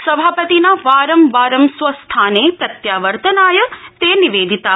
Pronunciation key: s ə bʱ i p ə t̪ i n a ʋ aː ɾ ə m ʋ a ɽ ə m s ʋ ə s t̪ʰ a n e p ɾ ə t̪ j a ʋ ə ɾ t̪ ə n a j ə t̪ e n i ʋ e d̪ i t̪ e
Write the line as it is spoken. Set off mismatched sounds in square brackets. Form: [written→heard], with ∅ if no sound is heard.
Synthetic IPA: s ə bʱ [i→a] p ə t̪ i n a ʋ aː ɾ ə m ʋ a [ɽ→ɾ] ə m s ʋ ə s t̪ʰ a n e p ɾ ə t̪ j a ʋ ə ɾ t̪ ə n a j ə t̪ e n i ʋ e d̪ i t̪ [e→a]